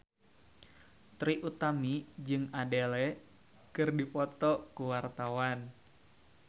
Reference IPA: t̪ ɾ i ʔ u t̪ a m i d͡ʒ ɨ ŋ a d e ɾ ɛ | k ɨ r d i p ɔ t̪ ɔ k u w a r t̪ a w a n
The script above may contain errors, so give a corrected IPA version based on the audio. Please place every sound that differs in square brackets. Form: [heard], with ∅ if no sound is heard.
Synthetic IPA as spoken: t̪ ɾ i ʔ u t̪ a m i d͡ʒ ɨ ŋ a d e [l] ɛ | k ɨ r d i p ɔ t̪ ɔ k u w a r t̪ a w a n